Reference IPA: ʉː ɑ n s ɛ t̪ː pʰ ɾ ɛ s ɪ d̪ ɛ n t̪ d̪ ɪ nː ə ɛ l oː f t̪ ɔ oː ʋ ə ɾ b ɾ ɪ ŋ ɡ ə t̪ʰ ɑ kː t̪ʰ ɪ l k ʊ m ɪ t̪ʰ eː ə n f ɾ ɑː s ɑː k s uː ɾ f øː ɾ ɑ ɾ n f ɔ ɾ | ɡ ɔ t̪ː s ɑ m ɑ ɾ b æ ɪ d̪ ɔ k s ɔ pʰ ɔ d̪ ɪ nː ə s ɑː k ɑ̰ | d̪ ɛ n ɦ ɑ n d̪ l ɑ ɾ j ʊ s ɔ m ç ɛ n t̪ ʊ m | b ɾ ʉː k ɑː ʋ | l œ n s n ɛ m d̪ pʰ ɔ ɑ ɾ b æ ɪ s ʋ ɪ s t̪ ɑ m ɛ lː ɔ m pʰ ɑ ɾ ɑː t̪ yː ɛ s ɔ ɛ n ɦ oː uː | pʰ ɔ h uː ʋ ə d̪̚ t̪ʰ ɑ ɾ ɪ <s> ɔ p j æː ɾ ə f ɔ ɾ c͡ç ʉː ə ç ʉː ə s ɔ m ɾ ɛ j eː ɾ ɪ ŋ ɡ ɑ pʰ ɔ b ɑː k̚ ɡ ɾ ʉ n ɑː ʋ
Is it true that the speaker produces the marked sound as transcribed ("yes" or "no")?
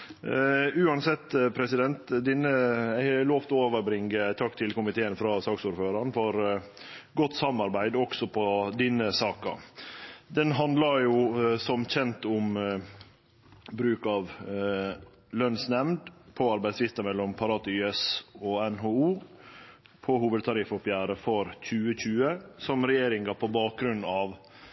no